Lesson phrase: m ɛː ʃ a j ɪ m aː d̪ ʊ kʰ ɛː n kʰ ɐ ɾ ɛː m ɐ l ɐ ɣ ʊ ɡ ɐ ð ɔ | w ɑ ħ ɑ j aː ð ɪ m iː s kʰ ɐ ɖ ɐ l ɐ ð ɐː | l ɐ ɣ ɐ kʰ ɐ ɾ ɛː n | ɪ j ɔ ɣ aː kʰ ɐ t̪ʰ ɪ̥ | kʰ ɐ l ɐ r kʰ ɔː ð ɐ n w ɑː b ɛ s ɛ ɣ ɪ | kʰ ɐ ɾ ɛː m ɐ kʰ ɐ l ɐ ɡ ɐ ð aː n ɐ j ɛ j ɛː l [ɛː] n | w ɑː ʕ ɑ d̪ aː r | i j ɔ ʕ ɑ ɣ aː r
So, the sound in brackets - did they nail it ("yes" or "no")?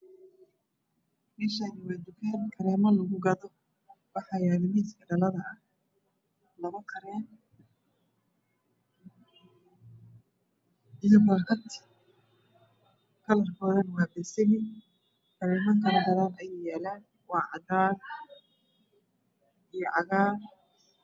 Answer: no